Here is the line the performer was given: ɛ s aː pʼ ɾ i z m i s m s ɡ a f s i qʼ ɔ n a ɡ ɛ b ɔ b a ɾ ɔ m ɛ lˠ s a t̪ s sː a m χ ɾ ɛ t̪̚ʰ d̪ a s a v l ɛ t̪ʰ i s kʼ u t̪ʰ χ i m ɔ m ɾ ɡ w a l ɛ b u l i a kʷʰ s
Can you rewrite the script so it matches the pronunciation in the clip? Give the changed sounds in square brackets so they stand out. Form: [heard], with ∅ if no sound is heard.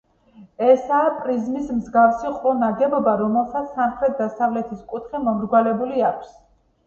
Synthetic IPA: ɛ s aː pʼ ɾ i z m i s m [z] ɡ a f s i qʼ ɔ n a ɡ ɛ b ɔ b a ɾ ɔ m ɛ lˠ s a t̪ s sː a m χ ɾ ɛ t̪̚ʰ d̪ a s a v l ɛ t̪ʰ i s kʼ u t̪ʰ χ i m ɔ m ɾ ɡ w a l ɛ b u l i a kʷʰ s